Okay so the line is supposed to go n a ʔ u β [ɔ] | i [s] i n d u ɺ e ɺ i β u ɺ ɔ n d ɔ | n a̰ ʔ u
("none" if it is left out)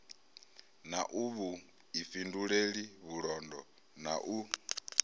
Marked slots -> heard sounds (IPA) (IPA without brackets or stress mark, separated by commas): u, f